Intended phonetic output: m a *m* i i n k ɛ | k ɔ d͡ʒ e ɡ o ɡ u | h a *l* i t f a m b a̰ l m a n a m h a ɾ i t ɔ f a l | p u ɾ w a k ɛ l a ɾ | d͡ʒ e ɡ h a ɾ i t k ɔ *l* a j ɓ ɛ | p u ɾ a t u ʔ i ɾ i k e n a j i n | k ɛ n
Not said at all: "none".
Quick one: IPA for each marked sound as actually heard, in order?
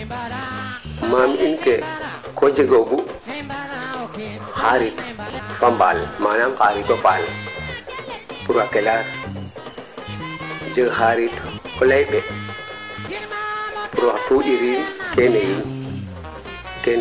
m, ɾ, l

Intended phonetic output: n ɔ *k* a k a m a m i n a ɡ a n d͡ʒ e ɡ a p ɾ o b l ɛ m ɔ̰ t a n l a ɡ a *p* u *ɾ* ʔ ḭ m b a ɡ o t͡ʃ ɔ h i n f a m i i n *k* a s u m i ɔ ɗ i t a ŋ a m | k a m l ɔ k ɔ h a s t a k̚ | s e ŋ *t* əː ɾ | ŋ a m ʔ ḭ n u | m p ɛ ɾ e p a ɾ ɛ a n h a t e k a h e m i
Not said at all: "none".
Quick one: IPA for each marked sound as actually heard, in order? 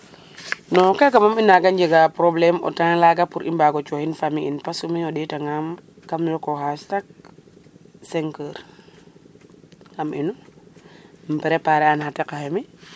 k, p, ɾ, p, k

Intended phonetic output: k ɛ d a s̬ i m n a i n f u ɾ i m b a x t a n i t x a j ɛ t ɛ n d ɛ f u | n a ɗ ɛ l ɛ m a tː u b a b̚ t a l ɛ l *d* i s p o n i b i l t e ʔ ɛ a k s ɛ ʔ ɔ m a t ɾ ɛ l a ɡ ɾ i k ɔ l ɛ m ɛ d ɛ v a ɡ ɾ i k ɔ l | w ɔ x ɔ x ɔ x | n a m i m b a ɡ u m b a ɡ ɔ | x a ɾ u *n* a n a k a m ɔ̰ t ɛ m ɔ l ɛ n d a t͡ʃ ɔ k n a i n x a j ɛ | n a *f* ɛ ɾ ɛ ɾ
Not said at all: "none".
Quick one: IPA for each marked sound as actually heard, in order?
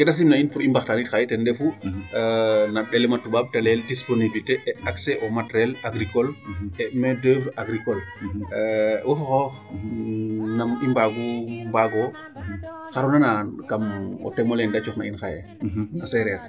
d, n, s

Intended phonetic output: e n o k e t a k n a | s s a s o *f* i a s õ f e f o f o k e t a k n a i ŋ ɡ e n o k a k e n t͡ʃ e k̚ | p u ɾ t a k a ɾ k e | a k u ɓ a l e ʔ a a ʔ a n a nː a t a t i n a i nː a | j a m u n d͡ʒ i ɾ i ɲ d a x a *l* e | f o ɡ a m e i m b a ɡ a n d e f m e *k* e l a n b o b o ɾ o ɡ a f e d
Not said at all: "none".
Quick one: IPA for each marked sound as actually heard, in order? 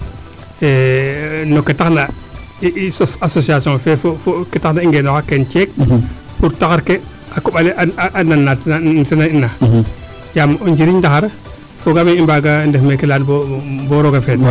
s, ɾ, k

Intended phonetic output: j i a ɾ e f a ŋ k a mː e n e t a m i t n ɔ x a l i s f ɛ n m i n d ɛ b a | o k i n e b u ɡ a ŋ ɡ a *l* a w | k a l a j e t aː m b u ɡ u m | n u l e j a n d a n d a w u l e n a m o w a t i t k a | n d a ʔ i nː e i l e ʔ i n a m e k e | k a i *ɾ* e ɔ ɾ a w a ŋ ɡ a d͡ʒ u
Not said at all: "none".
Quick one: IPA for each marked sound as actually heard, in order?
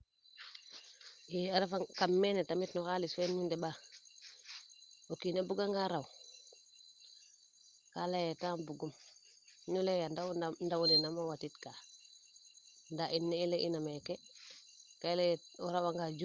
ɾ, l

